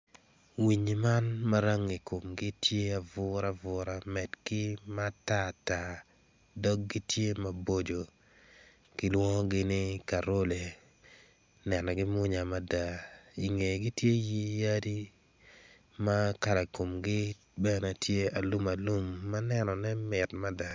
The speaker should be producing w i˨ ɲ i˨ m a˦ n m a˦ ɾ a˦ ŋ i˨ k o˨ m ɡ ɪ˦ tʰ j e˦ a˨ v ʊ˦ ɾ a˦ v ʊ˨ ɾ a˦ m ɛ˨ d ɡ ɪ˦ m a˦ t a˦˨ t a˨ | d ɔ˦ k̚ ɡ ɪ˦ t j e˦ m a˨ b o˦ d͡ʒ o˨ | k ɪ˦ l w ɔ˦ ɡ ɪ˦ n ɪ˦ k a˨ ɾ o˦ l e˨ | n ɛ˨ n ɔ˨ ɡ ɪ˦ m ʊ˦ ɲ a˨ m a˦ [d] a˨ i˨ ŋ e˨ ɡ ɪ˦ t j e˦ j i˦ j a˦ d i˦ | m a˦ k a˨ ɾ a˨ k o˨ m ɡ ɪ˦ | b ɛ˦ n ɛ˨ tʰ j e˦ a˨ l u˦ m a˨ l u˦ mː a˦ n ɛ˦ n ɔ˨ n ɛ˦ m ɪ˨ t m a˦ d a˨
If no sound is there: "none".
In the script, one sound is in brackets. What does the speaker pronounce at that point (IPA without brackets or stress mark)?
d